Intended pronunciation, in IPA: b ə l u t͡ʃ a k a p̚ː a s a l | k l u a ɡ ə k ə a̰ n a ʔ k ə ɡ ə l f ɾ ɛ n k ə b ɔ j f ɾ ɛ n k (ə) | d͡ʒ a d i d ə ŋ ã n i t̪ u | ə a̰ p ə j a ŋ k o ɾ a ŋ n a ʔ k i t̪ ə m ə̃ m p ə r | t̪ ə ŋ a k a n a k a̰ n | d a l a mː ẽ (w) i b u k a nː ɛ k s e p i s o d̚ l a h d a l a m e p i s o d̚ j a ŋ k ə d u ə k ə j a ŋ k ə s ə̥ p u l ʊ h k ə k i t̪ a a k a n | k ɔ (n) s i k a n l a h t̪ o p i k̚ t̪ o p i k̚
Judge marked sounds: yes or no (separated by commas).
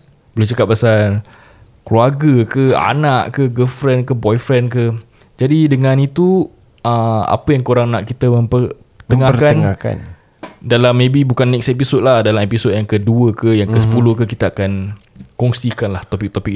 yes, no, no